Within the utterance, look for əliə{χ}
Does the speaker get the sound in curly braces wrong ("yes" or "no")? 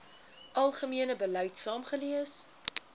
yes